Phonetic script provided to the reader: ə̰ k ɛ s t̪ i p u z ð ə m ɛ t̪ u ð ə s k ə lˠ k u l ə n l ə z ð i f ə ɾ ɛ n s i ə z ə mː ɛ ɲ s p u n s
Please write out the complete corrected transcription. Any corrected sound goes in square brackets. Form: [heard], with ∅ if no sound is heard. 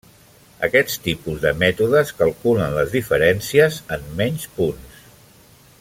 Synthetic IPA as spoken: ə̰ k ɛ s t̪ i p u z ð ə m ɛ t̪ u ð ə s k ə lˠ k u l ə n l ə z ð i f ə ɾ ɛ n s i ə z ə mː ɛ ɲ s p u n s

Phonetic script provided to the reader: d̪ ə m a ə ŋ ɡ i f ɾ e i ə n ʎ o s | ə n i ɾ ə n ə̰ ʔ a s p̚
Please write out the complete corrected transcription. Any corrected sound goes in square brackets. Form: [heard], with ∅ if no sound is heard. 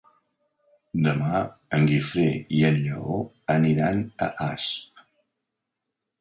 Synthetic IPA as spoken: d̪ ə m a ə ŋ ɡ i f ɾ e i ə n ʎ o [∅] | ə n i ɾ [a] n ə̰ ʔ a s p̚

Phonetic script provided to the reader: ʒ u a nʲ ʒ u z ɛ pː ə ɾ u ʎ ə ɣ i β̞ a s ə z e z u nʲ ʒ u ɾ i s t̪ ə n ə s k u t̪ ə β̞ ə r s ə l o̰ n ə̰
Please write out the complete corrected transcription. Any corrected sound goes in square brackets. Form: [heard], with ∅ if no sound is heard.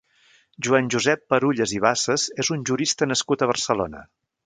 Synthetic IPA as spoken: ʒ u a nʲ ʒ u z ɛ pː ə ɾ u ʎ ə [z] i β̞ a s ə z e z u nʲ ʒ u ɾ i s t̪ ə n ə s k u t̪ ə β̞ ə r s ə l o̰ n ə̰

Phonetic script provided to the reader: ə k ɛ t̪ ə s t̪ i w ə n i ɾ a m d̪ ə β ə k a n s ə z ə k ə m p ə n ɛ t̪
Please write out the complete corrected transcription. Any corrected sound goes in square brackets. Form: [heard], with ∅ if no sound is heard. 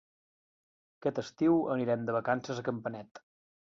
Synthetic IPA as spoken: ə k ɛ t̪ ə s t̪ i w ə n i ɾ [ɛ] m d̪ ə β ə k a n s ə z ə k ə m p ə n ɛ t̪

